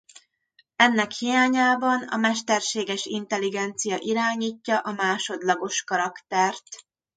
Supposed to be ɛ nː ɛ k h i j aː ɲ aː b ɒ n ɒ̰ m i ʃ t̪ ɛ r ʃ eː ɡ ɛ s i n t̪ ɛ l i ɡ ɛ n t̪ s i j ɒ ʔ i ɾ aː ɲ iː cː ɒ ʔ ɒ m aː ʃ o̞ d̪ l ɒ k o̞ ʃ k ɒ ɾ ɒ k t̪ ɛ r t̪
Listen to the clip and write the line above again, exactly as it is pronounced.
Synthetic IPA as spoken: ɛ nː ɛ k h i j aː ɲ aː b ɒ n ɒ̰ m ɛ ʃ t̪ ɛ r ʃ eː ɡ ɛ ʃ i n t̪ ɛ l i ɡ ɛ n t̪ s i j ɒ ʔ i ɾ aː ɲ iː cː ɒ ʔ ɒ m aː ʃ o̞ d̪ l ɒ ɡ o̞ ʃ k ɒ ɾ ɒ k t̪ ɛ r t̪